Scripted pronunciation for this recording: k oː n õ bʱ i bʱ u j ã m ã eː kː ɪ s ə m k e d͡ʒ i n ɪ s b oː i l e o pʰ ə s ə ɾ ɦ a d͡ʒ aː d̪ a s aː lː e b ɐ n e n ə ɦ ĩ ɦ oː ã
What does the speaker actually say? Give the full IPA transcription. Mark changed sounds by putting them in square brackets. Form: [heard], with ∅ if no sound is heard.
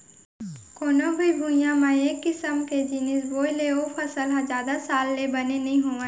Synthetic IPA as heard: k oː n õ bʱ i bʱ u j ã m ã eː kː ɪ s ə m k e d͡ʒ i n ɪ s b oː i l e o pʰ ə s ə [l] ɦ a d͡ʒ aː d̪ a s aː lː e b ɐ n e n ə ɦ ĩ ɦ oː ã

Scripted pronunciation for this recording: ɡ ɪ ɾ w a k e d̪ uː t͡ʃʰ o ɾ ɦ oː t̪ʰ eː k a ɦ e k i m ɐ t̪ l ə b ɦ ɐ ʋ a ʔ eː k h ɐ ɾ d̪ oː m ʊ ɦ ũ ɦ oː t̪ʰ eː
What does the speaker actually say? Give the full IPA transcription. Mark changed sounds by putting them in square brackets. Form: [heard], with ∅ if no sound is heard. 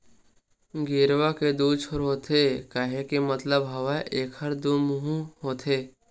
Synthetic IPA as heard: ɡ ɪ ɾ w a k e d̪ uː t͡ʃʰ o ɾ ɦ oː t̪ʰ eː k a ɦ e k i m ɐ t̪ l ə b ɦ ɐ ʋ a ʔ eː k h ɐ ɾ d̪ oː m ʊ ɦ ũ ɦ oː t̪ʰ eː

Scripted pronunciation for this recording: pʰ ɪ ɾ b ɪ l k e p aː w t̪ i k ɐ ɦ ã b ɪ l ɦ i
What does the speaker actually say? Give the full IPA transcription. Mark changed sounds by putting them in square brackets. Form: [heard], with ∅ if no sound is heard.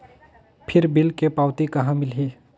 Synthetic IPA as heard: pʰ ɪ ɾ b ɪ l k e p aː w t̪ i k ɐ ɦ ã [m] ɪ l ɦ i

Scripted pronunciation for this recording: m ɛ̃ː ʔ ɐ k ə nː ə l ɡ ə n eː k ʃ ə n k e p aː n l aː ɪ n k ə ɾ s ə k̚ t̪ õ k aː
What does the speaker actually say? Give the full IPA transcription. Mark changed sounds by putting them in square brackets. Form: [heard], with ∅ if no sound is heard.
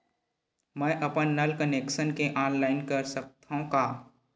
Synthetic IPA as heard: m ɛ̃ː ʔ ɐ [p] ə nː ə l [k] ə n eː k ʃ ə n k e [ʔ] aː n l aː ɪ n k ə ɾ s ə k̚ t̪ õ k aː

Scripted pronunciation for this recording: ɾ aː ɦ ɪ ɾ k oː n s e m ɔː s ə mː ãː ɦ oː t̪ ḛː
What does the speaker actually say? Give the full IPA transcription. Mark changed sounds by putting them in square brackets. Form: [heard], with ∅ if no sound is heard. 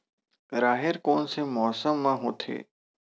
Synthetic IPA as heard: ɾ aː ɦ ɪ ɾ k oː n s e m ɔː s ə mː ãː ɦ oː [t̪ʰ] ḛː

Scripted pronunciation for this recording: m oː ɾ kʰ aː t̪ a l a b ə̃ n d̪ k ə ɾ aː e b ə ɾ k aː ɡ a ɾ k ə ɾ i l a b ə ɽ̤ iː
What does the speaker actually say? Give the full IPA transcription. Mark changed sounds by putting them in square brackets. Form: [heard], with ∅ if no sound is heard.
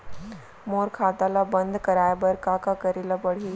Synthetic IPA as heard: m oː ɾ kʰ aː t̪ a l a b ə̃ n d̪ k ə ɾ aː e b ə ɾ k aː [k] a [∅] k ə ɾ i l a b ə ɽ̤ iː

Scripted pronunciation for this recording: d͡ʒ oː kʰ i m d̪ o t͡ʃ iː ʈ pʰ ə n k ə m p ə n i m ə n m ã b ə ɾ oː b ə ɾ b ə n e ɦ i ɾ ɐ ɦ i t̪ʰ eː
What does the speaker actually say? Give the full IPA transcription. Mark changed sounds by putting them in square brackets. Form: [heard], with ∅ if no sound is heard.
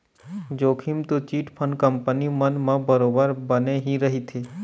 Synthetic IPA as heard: d͡ʒ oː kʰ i m [t̪] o t͡ʃ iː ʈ pʰ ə n k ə m p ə n i m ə n m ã b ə ɾ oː b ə ɾ b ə n e ɦ i ɾ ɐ ɦ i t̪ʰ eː

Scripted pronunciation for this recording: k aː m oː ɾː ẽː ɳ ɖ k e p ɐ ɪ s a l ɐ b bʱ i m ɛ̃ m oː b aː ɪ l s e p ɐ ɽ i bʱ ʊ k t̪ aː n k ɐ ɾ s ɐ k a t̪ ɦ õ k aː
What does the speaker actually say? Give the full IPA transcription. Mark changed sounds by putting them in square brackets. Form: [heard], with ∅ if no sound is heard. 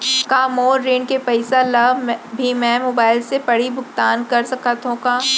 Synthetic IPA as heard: k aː m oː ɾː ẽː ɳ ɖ k e p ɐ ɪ s a l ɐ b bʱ i m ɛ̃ m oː b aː ɪ l s e p ɐ ɽ i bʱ ʊ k t̪ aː n k ɐ ɾ s ɐ k a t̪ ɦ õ k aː

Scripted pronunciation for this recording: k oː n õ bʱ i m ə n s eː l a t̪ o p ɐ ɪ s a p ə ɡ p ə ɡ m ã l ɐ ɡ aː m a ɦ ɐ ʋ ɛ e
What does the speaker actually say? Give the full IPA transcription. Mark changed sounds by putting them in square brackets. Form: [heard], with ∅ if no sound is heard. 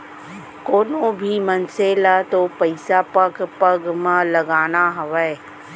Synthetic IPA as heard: k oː n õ bʱ i m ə n s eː l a t̪ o p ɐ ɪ s a p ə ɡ p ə ɡ m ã l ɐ ɡ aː [n] a ɦ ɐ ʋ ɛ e

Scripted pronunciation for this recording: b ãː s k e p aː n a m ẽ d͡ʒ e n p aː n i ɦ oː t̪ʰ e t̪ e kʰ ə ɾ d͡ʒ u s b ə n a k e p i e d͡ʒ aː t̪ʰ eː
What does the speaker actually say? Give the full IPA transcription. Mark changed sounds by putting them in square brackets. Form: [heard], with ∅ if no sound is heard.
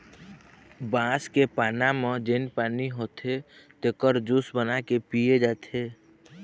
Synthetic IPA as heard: b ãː s k e p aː n a m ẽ d͡ʒ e n p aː n i ɦ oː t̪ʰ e t̪ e [k] ə ɾ d͡ʒ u s b ə n a k e p i e d͡ʒ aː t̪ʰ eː

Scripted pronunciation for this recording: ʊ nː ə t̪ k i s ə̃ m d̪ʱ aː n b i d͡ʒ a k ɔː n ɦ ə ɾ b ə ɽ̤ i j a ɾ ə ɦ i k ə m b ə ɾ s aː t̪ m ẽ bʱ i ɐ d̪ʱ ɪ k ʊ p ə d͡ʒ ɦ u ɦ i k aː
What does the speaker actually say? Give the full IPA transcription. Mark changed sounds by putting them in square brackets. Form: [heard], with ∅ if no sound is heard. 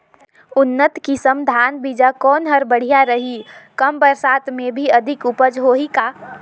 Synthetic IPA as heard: ʊ nː ə t̪ k i s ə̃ m d̪ʱ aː n b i d͡ʒ a k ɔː n ɦ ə ɾ b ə ɽ̤ i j a ɾ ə ɦ i k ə m b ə ɾ s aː t̪ m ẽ bʱ i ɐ d̪ʱ ɪ k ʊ p ə d͡ʒ ɦ [o] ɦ i k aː

